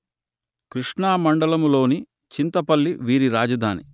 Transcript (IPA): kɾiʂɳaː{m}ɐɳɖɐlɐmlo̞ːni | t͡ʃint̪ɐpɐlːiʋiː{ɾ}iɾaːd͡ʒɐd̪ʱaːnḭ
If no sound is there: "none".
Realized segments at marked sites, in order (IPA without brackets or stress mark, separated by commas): m, ɾ